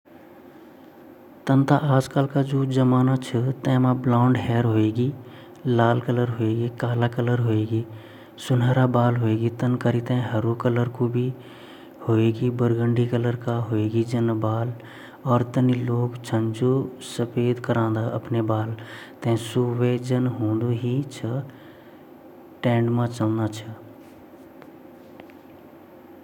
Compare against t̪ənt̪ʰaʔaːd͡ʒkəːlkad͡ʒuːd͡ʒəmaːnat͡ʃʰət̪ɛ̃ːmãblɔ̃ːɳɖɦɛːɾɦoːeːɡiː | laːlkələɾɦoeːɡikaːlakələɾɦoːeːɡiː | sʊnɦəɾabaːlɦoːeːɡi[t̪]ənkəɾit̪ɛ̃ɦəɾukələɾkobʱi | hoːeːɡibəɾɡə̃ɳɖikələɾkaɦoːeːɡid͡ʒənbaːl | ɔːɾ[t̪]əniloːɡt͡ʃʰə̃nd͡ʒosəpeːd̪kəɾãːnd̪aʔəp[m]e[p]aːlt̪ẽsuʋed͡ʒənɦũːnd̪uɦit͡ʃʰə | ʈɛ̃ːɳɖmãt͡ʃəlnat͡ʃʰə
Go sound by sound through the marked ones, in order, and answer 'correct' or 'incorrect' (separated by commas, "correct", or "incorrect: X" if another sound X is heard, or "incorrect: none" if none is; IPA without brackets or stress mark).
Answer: correct, correct, incorrect: n, incorrect: b